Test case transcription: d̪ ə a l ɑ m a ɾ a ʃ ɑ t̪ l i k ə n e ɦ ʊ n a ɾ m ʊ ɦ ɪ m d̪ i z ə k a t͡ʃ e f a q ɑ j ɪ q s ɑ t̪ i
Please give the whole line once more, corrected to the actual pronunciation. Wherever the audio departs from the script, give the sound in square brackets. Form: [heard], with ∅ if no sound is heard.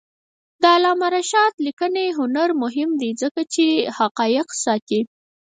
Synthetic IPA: d̪ ə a l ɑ m a ɾ a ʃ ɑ t̪ l i k ə n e ɦ ʊ n a ɾ m ʊ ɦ ɪ m d̪ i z ə k a t͡ʃ e [h] a q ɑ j ɪ q s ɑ t̪ i